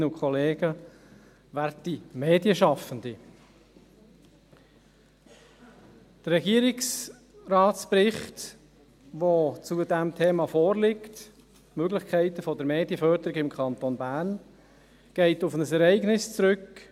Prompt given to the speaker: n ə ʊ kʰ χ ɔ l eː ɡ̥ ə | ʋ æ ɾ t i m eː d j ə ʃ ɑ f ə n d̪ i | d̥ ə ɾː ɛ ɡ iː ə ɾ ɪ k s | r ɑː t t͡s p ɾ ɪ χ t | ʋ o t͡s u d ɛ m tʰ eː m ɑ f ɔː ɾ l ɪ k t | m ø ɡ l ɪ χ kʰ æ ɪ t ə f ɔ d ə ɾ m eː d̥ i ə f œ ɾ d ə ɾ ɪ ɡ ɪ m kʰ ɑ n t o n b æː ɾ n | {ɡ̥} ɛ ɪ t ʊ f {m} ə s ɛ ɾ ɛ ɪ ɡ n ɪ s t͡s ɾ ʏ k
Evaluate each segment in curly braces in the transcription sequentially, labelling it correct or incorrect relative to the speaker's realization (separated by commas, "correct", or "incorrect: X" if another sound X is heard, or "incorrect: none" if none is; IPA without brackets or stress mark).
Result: correct, incorrect: n